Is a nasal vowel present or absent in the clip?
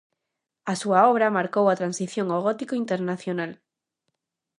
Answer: absent